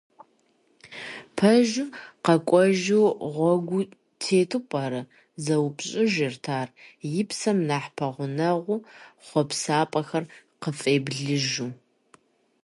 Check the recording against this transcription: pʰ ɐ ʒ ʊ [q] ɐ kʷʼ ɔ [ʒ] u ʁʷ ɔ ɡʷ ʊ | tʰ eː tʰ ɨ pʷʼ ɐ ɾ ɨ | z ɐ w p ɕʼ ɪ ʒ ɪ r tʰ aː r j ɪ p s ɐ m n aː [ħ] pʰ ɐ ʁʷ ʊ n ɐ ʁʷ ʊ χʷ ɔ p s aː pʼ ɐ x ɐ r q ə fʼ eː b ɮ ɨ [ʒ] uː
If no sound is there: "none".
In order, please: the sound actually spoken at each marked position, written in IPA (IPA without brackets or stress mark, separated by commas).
q, ʒ, ħ, ʒ